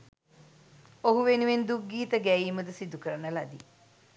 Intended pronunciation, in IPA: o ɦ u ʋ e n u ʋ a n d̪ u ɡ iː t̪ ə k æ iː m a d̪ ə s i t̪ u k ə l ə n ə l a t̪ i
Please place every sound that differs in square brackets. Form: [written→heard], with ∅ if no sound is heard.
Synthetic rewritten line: o ɦ u ʋ e n u ʋ [a→e] n d̪ u ɡ iː t̪ ə [k→ɡ] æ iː m [a→ə] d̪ ə s i [t̪→d̪] u k ə [l→ɾ] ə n ə l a [t̪→d̪] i